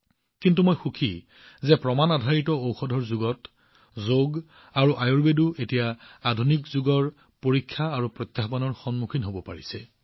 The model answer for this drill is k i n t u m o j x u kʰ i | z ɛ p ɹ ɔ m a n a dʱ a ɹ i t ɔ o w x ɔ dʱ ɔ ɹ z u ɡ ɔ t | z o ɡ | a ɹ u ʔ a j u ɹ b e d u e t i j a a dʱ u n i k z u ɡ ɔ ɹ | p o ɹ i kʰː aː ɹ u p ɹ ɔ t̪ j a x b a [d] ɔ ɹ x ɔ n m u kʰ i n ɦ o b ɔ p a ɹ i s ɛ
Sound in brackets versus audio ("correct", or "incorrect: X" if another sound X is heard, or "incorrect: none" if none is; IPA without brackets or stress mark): incorrect: n